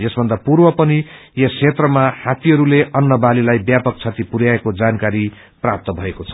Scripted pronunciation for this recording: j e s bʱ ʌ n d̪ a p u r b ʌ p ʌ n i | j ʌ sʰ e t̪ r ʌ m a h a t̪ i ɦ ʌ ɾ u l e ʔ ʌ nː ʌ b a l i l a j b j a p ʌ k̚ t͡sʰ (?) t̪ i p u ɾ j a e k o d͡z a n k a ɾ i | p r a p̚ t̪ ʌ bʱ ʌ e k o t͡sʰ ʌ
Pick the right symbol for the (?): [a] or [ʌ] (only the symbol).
a